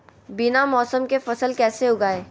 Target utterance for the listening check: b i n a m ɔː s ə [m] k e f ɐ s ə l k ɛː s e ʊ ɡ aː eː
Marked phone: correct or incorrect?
correct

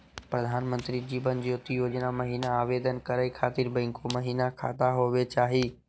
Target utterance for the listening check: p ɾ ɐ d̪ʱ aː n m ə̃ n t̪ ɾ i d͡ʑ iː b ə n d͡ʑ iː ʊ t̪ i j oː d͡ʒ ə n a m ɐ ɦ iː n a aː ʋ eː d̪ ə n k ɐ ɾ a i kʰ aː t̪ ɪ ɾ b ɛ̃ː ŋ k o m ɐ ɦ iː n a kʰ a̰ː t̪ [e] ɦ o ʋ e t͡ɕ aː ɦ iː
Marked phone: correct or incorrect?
incorrect: a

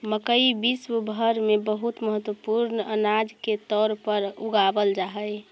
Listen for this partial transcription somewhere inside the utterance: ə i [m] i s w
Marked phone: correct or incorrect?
incorrect: b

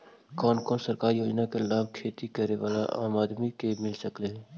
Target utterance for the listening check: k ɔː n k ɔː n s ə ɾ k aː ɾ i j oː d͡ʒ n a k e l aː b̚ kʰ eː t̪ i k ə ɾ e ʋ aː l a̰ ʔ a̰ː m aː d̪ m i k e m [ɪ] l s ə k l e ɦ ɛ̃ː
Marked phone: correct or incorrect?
correct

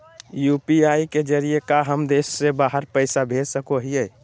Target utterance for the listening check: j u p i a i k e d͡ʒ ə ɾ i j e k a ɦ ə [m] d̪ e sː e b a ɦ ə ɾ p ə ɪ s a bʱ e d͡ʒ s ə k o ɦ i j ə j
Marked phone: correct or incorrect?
correct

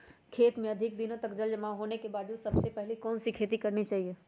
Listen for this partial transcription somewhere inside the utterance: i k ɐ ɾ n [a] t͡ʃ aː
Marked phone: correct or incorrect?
incorrect: i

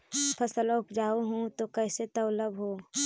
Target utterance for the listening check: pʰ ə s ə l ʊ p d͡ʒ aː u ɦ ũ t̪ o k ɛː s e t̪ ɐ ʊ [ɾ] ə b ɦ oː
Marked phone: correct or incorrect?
incorrect: l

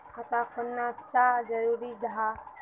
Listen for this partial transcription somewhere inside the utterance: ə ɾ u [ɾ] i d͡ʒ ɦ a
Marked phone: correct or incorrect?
correct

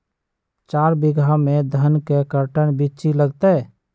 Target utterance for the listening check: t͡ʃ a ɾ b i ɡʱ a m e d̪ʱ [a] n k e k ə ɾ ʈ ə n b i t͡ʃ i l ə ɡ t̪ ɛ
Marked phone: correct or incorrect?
incorrect: ə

